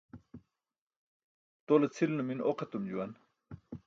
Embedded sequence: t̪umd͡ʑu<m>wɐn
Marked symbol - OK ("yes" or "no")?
no